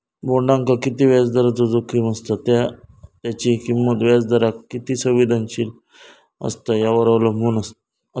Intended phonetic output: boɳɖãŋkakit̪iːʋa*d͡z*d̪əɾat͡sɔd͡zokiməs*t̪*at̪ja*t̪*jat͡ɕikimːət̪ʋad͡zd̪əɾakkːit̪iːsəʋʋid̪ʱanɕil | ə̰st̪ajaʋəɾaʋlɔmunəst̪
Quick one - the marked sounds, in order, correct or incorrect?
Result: correct, correct, correct

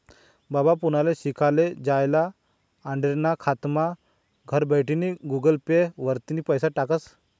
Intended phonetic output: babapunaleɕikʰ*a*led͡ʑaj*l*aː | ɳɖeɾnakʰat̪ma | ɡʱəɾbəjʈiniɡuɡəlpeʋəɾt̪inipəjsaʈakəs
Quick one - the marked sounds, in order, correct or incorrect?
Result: correct, correct

